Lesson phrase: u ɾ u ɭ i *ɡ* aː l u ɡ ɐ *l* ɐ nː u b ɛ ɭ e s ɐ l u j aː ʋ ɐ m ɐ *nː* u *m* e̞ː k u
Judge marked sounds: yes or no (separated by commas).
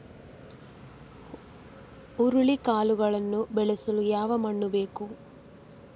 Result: no, no, no, no